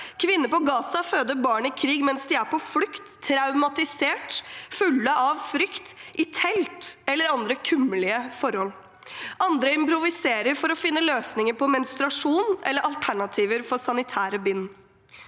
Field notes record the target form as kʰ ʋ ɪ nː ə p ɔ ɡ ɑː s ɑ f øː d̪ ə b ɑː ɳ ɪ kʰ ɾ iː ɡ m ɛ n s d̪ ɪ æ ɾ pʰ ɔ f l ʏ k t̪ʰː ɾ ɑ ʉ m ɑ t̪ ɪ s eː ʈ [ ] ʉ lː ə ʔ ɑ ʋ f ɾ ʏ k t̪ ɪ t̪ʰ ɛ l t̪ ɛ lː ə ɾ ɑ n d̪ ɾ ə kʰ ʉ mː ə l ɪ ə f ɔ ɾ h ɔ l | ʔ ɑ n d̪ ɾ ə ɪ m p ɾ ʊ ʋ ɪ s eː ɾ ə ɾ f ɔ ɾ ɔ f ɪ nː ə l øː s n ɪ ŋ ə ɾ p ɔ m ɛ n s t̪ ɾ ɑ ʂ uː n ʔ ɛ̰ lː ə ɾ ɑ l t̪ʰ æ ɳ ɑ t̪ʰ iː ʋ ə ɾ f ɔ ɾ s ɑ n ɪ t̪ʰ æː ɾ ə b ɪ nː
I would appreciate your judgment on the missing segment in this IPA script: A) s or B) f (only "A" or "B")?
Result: B